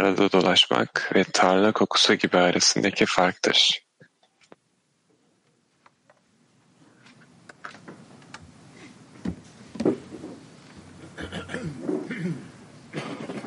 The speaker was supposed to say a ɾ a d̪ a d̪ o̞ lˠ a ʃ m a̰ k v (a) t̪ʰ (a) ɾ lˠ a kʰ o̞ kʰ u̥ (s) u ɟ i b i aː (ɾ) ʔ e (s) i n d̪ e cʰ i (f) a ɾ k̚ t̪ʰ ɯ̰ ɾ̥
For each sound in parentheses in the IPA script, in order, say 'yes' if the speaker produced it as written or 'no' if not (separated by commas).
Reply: no, yes, yes, yes, yes, yes